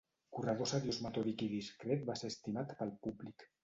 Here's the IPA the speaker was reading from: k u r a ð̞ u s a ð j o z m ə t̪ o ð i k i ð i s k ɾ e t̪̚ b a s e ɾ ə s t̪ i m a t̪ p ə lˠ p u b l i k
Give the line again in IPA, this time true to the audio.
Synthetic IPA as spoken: k u r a ð̞ o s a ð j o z m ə t̪ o ð i k i ð i s k ɾ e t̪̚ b a s e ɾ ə s t̪ i m a t̪ p ə lˠ p u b l i k